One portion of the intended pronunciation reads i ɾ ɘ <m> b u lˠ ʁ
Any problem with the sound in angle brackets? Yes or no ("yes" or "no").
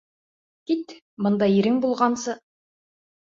yes